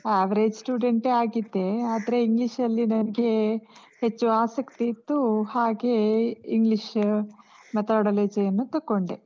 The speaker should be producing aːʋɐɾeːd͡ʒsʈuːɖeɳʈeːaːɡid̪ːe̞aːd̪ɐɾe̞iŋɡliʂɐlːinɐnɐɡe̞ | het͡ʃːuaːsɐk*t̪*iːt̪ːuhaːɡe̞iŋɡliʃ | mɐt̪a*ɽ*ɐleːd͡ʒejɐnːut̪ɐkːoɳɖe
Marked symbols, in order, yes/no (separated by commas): yes, yes